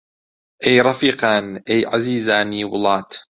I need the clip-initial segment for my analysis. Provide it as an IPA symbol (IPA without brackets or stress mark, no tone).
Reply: ʔ